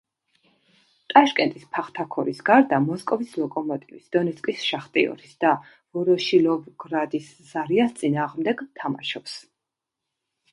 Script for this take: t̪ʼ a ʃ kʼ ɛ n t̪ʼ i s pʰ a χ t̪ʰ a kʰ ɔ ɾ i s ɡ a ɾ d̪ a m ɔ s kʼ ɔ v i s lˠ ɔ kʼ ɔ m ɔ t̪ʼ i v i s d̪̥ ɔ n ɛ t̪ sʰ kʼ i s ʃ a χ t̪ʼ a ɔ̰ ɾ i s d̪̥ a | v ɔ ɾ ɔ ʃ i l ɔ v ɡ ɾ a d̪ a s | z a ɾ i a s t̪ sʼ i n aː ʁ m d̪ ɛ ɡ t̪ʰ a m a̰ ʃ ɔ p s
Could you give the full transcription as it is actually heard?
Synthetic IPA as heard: t̪ʼ a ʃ kʼ ɛ n t̪ʼ i s pʰ a χ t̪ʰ a kʰ ɔ ɾ i s ɡ a ɾ d̪ a m ɔ s kʼ ɔ v i s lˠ ɔ kʼ ɔ m ɔ t̪ʼ i v i s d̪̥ ɔ n ɛ t̪ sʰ kʼ i s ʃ a χ t̪ʼ i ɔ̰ ɾ i s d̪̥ a | v ɔ ɾ ɔ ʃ i l ɔ v ɡ ɾ a d̪ i s | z a ɾ i a s t̪ sʼ i n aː ʁ m d̪ ɛ ɡ t̪ʰ a m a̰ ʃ ɔ p s